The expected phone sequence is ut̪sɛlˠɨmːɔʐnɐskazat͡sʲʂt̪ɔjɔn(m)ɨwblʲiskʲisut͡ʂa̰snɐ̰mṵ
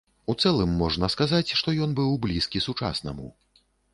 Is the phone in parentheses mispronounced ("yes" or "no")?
yes